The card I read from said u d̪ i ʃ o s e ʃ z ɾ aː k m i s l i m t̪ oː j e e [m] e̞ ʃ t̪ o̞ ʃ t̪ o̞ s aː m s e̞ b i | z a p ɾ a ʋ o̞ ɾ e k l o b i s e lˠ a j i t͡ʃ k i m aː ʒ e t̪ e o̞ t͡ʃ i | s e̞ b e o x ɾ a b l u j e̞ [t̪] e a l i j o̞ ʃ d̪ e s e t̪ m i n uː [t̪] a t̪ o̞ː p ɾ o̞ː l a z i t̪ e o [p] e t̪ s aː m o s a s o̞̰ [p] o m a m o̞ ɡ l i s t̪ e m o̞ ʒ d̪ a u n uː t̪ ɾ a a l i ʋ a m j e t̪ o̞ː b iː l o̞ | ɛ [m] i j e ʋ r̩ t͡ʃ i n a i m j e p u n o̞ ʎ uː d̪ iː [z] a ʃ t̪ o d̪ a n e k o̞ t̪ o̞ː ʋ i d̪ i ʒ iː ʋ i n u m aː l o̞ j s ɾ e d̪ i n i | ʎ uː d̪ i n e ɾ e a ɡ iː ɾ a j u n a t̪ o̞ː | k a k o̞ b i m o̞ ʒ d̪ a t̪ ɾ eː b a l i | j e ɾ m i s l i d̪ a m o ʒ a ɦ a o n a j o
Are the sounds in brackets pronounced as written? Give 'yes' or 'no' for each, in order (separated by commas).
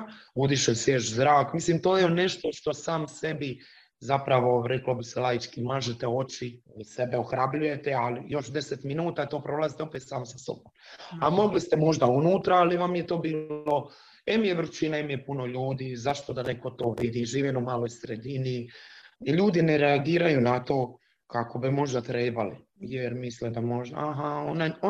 no, yes, yes, yes, no, yes, yes